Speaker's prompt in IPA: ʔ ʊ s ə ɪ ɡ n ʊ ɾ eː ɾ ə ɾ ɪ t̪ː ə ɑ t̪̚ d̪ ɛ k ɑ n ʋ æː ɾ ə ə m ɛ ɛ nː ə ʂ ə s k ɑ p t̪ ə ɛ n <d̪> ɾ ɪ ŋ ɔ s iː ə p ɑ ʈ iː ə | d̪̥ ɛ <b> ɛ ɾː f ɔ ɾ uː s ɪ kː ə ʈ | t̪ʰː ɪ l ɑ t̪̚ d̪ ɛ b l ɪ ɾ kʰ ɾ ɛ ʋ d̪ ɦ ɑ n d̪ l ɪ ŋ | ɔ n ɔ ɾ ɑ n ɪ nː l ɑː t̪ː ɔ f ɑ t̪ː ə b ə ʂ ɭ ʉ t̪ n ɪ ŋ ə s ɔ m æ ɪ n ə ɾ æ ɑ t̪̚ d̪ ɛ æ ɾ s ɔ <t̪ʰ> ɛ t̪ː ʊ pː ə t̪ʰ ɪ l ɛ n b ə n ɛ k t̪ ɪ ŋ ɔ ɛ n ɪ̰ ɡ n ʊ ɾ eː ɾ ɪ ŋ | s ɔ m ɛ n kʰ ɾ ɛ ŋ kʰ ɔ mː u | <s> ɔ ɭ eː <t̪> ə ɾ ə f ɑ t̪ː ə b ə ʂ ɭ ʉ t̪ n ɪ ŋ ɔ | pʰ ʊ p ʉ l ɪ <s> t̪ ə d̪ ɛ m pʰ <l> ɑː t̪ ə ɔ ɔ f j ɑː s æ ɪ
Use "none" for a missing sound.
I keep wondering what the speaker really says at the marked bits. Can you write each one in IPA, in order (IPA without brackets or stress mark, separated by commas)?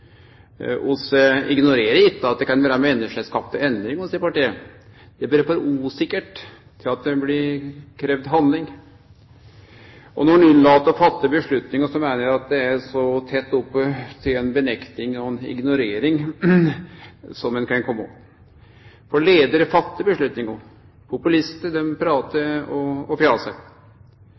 d̪, b, t̪ʰ, f, d̪, s, ɾ